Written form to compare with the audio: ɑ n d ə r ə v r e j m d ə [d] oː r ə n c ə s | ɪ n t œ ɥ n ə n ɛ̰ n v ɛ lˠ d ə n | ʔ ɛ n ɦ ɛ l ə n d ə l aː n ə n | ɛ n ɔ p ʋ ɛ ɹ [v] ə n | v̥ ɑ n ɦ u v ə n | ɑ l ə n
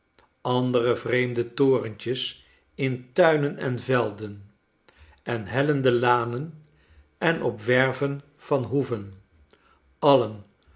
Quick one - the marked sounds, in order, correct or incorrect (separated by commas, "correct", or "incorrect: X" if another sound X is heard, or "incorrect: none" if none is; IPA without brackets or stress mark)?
incorrect: t, correct